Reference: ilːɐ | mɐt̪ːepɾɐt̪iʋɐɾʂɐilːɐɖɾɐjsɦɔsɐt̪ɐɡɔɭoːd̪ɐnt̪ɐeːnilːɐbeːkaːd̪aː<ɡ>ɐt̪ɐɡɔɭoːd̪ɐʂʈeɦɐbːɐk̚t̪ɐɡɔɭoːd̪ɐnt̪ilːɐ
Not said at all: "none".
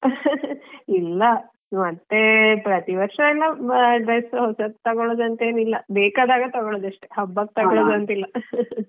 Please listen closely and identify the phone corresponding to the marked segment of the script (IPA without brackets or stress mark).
ɡ